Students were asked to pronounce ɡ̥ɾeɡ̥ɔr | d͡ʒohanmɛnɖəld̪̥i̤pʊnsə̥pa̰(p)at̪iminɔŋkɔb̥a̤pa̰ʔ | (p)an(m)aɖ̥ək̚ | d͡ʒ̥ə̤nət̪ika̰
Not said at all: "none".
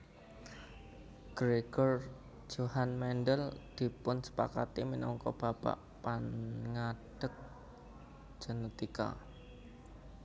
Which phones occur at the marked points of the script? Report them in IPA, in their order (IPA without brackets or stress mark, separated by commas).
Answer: k, p, ŋ